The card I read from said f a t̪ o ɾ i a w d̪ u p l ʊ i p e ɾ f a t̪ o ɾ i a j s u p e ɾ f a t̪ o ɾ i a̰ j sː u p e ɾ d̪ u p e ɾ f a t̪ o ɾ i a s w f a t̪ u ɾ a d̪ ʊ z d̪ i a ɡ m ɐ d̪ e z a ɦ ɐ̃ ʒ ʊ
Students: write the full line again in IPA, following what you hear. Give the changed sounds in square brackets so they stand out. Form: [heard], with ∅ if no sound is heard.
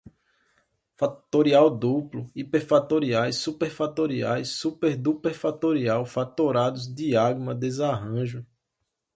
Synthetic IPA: f a t̪ o ɾ i a w d̪ u p l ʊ i p e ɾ f a t̪ o ɾ i a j s u p e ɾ f a t̪ o ɾ i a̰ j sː u p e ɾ d̪ u p e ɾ f a t̪ o ɾ i a [∅] w f a t̪ [o] ɾ a d̪ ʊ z d̪ i a ɡ m ɐ d̪ e z a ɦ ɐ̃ ʒ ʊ